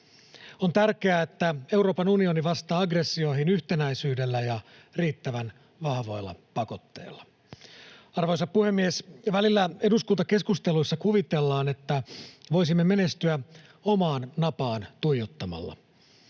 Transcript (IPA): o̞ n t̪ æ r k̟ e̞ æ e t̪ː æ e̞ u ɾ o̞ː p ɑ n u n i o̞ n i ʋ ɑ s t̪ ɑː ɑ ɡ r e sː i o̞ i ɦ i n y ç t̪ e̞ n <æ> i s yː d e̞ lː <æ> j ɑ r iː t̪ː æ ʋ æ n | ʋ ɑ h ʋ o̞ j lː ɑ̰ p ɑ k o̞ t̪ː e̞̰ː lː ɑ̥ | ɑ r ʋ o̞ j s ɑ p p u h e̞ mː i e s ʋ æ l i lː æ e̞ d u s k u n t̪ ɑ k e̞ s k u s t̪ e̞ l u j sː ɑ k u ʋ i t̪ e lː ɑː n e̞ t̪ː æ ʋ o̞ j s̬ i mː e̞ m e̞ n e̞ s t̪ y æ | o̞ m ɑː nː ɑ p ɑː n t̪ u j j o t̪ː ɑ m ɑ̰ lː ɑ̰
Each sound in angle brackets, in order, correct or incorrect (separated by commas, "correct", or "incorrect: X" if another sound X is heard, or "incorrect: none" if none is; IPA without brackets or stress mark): correct, correct